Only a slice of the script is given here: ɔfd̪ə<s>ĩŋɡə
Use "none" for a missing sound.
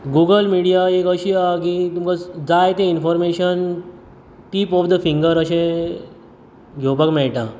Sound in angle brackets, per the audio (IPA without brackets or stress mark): f